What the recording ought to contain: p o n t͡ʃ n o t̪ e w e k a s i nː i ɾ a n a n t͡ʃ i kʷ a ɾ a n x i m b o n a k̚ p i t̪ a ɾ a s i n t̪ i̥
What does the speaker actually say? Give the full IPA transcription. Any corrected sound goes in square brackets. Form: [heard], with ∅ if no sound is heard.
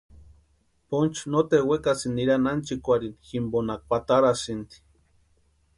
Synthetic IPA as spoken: p o n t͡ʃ n o t̪ e w e k a s i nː i ɾ a n a n t͡ʃ i kʷ a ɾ [i] n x i m b o n a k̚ p [a] t̪ a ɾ a s i n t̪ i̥